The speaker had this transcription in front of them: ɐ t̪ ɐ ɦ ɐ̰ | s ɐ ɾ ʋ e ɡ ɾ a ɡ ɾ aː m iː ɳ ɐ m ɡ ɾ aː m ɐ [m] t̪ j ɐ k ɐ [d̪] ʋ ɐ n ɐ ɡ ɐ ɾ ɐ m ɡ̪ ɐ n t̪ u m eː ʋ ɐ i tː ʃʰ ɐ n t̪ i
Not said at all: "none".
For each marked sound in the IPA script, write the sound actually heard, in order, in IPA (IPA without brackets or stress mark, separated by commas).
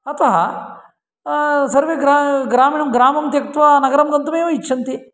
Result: m, t̪